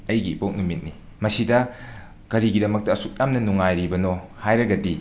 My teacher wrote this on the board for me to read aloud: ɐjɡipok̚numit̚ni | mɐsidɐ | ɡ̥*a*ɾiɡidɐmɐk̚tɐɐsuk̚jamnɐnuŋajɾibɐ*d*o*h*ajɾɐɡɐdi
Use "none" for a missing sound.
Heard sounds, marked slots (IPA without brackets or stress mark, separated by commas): ɐ, n, h